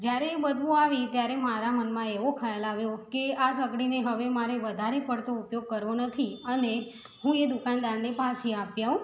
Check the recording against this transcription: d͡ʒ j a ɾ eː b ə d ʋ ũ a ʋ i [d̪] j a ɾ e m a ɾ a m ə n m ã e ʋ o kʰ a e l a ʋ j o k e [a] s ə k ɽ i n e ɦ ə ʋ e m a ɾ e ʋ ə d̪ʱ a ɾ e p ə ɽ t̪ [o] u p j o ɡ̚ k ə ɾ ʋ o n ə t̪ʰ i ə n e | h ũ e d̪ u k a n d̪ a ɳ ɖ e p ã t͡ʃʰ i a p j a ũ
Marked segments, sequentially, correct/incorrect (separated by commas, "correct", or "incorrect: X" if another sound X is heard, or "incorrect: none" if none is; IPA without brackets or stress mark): incorrect: t̪, correct, correct